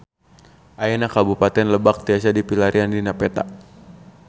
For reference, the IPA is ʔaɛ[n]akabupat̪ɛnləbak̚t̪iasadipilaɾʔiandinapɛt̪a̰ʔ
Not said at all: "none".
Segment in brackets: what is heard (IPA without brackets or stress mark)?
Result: n